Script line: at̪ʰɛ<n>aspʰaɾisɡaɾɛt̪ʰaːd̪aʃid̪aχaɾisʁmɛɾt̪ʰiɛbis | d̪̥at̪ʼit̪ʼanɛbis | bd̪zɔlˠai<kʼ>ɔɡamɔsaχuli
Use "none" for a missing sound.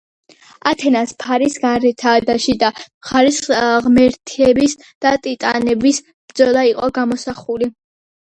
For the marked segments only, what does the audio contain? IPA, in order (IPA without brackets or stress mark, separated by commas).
n, qʼ